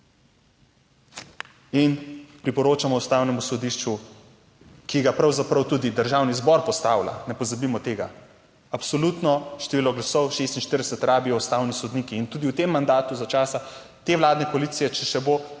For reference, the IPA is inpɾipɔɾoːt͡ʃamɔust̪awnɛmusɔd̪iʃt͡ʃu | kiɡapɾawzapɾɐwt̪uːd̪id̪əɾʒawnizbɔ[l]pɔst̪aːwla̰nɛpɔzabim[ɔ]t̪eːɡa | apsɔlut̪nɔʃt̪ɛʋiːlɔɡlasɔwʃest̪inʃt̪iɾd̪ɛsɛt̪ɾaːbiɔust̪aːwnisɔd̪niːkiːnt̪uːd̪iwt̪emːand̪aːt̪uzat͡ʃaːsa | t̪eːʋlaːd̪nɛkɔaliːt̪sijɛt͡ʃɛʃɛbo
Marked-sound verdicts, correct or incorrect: incorrect, correct

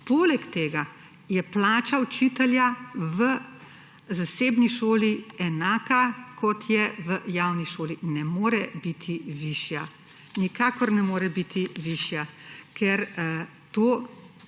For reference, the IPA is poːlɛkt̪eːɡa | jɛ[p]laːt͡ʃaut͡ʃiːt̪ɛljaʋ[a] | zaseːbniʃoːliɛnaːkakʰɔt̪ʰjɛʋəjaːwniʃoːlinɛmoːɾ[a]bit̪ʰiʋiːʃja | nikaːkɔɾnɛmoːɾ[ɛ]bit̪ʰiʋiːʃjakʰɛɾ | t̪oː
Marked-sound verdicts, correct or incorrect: correct, incorrect, incorrect, correct

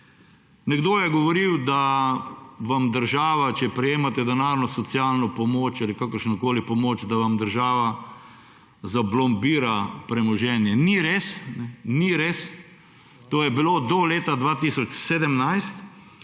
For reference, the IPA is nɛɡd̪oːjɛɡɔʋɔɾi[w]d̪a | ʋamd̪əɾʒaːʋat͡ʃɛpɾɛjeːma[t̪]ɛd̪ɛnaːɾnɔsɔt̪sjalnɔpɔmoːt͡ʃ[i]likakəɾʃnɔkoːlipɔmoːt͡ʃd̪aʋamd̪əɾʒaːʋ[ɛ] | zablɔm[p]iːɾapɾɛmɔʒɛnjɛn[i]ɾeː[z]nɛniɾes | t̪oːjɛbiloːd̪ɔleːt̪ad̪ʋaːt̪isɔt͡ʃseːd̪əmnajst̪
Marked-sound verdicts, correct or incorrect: correct, correct, incorrect, incorrect, incorrect, correct, incorrect

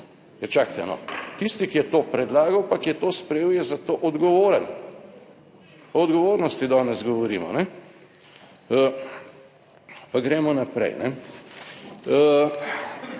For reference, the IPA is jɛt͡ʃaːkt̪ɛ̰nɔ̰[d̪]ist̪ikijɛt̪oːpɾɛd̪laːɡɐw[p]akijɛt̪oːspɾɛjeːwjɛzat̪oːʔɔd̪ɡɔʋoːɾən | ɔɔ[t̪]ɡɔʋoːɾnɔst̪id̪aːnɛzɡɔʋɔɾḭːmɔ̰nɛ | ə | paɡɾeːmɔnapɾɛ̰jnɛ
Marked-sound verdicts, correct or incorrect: incorrect, correct, incorrect

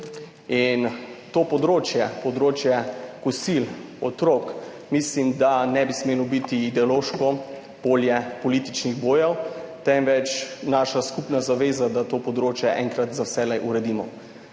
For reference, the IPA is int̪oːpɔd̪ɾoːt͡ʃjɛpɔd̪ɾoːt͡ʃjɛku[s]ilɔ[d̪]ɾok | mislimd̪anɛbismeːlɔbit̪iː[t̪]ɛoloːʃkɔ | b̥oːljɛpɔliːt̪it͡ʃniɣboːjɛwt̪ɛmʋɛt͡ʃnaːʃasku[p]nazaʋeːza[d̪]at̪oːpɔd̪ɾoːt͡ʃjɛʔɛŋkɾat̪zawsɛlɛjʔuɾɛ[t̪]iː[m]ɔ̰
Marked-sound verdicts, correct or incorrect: correct, incorrect, incorrect, correct, correct, incorrect, correct

